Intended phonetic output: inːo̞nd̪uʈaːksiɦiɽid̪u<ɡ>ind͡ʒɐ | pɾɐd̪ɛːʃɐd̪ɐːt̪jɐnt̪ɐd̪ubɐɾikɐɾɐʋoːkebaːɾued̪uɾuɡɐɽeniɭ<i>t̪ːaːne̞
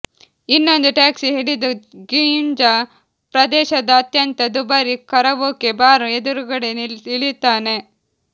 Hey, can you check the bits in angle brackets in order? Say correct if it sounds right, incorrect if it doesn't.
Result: correct, correct

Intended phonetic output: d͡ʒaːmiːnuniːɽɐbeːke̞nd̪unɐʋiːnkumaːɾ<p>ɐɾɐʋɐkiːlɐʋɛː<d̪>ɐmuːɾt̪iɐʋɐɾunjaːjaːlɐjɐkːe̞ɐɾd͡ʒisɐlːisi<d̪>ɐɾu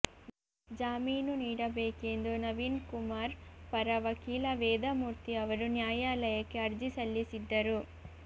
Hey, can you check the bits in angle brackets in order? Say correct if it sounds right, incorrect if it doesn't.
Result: correct, correct, incorrect: d̪ː

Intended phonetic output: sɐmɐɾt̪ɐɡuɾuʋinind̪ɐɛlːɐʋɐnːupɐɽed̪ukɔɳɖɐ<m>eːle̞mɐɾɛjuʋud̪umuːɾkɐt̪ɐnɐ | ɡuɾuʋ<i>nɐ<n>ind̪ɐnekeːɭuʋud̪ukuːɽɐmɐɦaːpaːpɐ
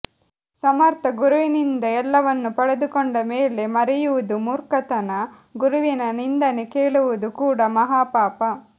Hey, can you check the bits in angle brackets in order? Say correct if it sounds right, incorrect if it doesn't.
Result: correct, correct, correct

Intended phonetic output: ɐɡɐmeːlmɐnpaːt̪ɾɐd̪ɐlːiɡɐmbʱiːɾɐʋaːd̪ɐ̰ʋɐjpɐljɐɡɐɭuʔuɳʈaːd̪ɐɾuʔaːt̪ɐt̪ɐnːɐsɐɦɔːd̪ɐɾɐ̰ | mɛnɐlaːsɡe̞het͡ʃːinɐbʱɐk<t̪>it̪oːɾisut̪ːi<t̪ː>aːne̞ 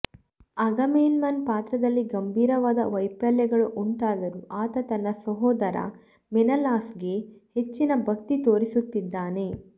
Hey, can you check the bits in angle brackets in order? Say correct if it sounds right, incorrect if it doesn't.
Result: correct, incorrect: d̪ː

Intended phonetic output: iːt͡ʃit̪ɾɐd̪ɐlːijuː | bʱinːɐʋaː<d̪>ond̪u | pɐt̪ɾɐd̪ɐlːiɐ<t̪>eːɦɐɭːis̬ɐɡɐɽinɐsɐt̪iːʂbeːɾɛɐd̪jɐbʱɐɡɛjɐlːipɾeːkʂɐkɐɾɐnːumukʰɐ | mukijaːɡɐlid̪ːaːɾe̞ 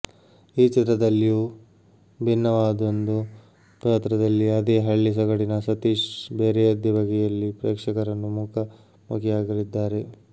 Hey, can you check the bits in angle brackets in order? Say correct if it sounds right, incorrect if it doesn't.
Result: correct, incorrect: d̪

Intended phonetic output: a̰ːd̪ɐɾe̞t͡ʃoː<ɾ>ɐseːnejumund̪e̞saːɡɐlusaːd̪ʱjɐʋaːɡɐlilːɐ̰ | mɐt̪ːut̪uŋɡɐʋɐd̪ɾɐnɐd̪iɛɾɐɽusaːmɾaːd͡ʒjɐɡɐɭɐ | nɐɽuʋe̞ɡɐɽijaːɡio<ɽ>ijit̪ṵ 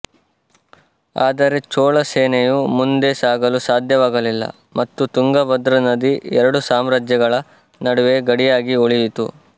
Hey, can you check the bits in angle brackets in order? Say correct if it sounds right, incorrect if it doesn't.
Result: incorrect: ɭ, incorrect: ɭ

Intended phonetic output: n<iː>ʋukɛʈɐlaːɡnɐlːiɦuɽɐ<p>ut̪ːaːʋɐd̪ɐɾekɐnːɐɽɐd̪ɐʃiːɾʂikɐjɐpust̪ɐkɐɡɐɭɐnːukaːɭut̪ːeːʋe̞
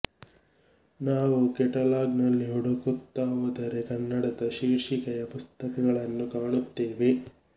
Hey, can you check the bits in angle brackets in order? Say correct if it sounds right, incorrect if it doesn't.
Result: incorrect: aː, incorrect: k

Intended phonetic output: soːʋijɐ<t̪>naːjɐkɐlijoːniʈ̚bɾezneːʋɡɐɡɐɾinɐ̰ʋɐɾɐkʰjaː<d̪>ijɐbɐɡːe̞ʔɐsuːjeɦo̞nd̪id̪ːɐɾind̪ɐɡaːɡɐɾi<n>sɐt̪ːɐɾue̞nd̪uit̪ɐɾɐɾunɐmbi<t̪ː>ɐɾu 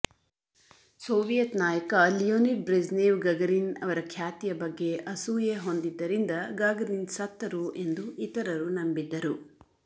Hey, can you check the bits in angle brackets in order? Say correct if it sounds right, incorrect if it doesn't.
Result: correct, incorrect: t̪, correct, incorrect: d̪ː

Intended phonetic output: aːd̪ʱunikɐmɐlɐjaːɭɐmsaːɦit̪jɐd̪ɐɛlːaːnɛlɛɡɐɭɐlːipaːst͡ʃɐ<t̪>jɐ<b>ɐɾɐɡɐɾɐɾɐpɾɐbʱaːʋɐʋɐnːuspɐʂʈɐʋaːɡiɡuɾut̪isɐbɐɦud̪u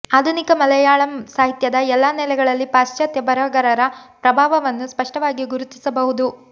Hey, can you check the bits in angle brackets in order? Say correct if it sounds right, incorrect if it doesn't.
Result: correct, correct

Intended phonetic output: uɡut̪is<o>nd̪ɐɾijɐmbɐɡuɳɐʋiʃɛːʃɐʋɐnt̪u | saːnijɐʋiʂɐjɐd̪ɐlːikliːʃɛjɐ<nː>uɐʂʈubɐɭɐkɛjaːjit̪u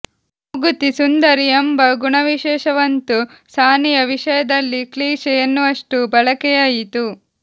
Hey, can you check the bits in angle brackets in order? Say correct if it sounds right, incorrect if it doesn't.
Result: incorrect: u, correct

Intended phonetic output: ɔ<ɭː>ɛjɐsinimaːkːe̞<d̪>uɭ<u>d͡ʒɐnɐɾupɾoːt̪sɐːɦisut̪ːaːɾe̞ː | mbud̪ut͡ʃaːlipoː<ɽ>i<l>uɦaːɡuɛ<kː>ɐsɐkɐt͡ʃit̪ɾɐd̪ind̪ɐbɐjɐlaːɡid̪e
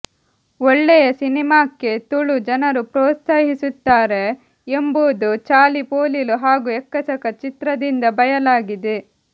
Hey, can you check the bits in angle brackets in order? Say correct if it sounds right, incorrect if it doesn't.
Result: correct, incorrect: t̪, correct, incorrect: l, correct, correct

